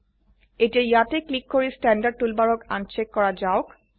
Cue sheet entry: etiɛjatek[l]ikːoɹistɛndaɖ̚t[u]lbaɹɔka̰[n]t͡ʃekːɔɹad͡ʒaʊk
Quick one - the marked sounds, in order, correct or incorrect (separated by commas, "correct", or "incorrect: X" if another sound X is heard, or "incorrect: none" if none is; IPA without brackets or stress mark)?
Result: correct, correct, correct